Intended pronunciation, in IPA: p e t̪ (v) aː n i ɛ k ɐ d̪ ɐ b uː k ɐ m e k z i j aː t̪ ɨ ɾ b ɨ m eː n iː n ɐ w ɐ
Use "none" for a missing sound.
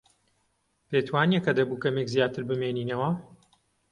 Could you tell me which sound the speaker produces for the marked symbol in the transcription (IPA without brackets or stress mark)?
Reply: w